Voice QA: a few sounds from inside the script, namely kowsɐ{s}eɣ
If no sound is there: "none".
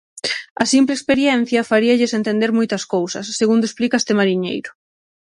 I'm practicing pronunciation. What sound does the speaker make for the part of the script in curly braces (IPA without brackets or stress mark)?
sː